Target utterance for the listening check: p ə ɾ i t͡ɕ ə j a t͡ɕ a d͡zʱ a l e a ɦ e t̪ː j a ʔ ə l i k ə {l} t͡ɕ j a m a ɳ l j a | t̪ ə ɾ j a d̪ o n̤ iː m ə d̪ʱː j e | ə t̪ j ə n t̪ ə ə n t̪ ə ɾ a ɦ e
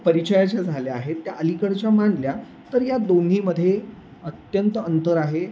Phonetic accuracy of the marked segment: incorrect: ɽ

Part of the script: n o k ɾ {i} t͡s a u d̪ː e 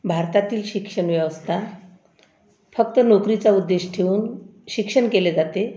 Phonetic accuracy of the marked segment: correct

